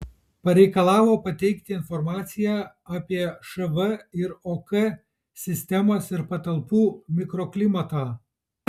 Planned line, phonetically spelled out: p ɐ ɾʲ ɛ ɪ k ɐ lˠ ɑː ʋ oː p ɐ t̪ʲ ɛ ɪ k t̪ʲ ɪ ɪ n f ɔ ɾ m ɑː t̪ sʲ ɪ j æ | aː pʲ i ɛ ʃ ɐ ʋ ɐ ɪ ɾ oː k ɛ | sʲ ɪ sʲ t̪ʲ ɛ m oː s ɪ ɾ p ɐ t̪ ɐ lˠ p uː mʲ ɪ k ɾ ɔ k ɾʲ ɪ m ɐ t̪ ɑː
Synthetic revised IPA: p ɐ ɾʲ ɛ ɪ k ɐ lˠ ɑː ʋ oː p ɐ t̪ʲ ɛ ɪ k t̪ʲ ɪ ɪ n f ɔ ɾ m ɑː t̪ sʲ ɪ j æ | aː pʲ i ɛ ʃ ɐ ʋ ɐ ɪ ɾ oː k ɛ | sʲ ɪ sʲ t̪ʲ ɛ m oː s ɪ ɾ p ɐ t̪ ɐ lˠ p uː mʲ ɪ k ɾ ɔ k lʲ ɪ m ɐ t̪ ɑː